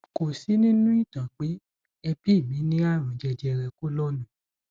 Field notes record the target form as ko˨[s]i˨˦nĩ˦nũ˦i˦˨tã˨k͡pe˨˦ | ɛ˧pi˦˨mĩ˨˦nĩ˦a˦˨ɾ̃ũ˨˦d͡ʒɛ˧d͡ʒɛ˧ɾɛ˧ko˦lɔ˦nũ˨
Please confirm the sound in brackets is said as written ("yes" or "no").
yes